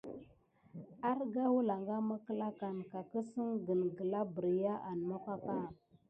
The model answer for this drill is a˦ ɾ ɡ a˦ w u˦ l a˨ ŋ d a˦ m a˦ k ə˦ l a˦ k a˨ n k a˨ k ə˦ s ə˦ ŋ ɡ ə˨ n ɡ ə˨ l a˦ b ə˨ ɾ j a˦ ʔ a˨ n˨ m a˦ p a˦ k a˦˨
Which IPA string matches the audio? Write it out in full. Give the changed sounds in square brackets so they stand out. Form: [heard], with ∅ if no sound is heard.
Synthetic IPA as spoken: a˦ ɾ ɡ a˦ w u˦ l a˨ ŋ [ɡ] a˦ m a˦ k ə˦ l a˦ k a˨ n k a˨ k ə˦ s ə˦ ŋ ɡ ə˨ n ɡ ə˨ l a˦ b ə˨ ɾ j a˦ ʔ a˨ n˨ m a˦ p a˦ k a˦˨